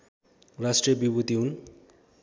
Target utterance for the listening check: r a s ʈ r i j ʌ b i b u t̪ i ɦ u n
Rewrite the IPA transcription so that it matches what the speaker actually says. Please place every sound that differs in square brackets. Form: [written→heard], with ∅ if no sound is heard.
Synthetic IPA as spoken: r a s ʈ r i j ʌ b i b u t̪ i ɦ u n